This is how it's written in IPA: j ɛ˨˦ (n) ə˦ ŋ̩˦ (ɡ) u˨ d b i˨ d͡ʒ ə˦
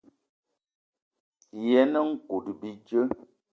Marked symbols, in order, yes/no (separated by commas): yes, no